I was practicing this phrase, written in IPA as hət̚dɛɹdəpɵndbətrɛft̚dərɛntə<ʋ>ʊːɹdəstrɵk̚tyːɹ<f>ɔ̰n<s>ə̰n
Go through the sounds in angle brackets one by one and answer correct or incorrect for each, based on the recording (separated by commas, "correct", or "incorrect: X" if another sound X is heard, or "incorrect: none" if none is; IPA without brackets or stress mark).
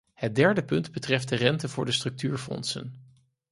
incorrect: v, correct, correct